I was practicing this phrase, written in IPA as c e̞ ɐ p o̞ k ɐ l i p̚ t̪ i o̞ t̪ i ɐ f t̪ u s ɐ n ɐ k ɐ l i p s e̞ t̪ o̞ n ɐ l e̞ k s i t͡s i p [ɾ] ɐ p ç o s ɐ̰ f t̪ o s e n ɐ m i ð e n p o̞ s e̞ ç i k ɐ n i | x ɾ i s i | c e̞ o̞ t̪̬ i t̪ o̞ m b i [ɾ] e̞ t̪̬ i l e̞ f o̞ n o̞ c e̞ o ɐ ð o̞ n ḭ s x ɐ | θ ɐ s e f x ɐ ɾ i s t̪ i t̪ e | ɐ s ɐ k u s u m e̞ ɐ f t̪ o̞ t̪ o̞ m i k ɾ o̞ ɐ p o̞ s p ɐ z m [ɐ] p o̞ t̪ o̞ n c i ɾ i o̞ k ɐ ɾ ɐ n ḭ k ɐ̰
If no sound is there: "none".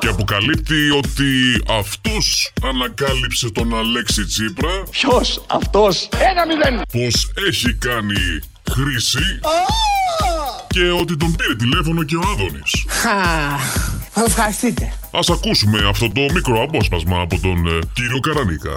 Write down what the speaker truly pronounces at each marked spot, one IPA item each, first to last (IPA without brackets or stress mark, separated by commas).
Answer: ɾ, ɾ, ɐː